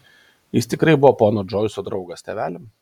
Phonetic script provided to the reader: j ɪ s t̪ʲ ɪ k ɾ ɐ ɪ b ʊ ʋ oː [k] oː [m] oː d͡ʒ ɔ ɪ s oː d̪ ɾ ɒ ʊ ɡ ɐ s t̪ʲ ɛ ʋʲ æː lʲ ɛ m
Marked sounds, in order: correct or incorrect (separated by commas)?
incorrect, incorrect